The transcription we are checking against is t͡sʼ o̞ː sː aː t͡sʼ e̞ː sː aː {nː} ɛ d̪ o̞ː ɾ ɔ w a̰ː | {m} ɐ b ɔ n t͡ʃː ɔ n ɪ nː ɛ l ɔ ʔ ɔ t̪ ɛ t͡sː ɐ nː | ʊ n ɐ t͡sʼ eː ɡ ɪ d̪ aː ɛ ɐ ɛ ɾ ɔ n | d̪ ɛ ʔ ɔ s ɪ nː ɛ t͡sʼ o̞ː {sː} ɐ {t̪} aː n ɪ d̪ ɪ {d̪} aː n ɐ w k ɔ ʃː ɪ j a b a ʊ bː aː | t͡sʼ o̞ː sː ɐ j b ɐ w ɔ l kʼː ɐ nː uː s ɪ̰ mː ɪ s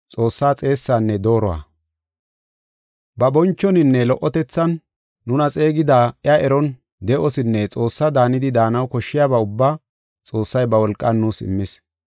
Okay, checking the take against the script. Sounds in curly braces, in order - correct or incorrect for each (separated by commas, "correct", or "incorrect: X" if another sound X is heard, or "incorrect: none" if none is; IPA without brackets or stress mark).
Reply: correct, incorrect: b, correct, incorrect: d̪, correct